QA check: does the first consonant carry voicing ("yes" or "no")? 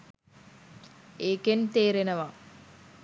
no